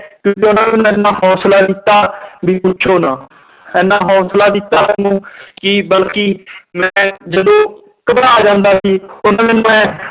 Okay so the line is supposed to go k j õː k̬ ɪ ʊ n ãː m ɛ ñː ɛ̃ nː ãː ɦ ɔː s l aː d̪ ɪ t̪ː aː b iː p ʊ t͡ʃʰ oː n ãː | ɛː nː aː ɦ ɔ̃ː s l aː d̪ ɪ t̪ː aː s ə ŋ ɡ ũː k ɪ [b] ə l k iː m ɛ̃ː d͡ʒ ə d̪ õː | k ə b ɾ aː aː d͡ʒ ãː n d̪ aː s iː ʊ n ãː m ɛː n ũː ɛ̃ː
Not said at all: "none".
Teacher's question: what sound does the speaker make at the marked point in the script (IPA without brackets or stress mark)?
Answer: b